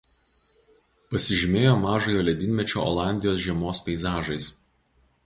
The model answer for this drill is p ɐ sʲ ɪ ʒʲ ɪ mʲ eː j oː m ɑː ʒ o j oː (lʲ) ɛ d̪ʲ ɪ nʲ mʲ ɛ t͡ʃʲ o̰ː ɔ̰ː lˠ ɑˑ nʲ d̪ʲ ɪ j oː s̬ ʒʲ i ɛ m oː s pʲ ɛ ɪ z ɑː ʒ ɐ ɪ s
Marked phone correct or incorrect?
correct